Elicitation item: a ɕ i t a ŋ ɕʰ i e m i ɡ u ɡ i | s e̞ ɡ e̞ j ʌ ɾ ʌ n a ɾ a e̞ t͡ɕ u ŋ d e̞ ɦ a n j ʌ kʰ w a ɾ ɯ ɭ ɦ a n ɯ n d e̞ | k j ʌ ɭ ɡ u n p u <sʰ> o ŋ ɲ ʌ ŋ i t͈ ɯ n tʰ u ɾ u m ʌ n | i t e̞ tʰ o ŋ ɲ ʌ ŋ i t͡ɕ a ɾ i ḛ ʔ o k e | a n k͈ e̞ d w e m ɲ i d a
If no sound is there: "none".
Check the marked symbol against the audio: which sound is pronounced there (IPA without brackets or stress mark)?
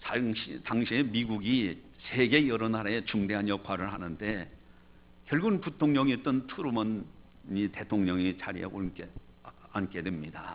tʰ